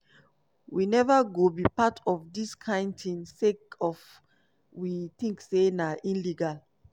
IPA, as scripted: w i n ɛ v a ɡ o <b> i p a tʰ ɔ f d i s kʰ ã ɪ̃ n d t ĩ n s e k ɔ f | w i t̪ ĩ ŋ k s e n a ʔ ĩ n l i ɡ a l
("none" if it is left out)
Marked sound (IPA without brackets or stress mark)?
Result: b